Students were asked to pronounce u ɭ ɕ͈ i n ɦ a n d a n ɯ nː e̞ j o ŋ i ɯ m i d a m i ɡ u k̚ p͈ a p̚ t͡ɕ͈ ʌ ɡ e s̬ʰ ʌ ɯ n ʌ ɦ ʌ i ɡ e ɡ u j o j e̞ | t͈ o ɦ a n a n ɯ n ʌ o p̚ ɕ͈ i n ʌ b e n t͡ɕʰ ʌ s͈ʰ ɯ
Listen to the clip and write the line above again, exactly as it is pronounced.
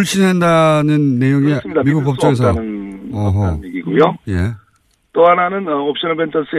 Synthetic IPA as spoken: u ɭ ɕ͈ i n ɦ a n d a n ɯ nː e̞ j o ŋ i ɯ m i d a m i ɡ u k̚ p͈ ʌ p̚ t͡ɕ͈ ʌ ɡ e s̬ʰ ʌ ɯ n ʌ ɦ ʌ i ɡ i ɡ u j o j e̞ | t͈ o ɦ a n a n ɯ n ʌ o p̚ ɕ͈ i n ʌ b e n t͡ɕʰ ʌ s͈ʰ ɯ